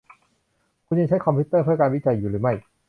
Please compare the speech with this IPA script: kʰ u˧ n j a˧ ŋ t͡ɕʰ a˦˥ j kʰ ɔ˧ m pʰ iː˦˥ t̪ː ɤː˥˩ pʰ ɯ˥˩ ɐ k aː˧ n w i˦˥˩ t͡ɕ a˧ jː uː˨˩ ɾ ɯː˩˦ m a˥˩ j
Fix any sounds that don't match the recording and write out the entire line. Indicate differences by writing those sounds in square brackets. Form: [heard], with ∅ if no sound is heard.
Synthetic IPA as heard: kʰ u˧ n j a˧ ŋ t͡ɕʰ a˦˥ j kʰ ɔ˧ m pʰ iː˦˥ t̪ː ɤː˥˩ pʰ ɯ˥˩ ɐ k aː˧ n w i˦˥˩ t͡ɕ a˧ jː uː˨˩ ɾ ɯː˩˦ m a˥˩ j